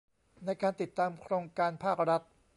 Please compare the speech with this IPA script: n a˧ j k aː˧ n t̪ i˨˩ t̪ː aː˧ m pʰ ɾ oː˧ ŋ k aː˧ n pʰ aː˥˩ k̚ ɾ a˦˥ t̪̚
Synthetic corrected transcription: n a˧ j k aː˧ n t̪ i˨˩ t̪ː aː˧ m kʰ ɾ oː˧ ŋ k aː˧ n pʰ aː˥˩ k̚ ɾ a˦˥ t̪̚